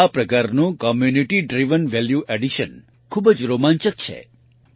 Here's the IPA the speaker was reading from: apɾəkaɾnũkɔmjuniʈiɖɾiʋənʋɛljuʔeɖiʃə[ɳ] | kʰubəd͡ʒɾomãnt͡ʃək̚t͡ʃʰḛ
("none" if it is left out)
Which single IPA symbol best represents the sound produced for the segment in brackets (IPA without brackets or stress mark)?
n